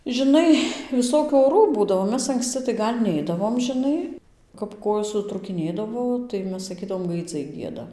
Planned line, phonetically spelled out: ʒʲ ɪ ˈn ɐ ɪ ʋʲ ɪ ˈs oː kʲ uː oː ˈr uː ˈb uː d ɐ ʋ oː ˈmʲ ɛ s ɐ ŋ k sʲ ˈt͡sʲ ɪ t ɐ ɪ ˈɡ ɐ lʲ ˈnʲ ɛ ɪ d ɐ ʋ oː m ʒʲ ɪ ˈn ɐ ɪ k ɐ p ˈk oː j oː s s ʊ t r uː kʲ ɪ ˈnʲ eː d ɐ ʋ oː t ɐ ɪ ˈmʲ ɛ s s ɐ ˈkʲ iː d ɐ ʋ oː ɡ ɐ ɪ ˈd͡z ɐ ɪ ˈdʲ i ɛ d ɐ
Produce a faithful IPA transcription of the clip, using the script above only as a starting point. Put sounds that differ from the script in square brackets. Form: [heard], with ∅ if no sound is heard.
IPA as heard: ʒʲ ɪ ˈn ɐ ɪ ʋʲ ɪ ˈs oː kʲ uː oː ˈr uː ˈb uː d ɐ ʋ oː ˈmʲ ɛ s ɐ ŋ k sʲ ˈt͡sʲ ɪ t ɐ ɪ ˈɡ ɐ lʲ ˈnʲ ɛ ɪ d ɐ ʋ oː m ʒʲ ɪ ˈn ɐ ɪ k ɐ p ˈk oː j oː s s ʊ t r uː kʲ ɪ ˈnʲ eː d ɐ ʋ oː t ɐ ɪ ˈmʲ ɛ s s ɐ ˈkʲ iː d ɐ ʋ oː ɡ ɐ ɪ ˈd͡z ɐ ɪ [ˈɡʲ] i ɛ d ɐ